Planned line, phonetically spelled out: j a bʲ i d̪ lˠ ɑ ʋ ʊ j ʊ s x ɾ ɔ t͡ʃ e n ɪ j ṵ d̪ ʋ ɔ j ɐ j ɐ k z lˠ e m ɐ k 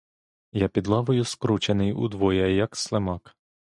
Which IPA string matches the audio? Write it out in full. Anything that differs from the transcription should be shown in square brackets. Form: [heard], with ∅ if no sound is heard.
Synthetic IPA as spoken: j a [pʲ] i d̪ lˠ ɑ ʋ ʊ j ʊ s [k] ɾ [u] t͡ʃ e n ɪ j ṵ d̪ ʋ ɔ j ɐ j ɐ k [s] lˠ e m [ɑ] k